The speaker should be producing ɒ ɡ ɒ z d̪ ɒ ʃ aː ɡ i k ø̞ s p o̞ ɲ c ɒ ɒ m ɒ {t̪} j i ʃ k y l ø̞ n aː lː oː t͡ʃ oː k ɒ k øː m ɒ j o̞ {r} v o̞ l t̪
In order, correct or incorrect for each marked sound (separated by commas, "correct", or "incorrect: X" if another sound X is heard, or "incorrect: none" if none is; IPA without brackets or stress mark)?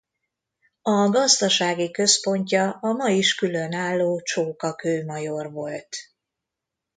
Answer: incorrect: none, correct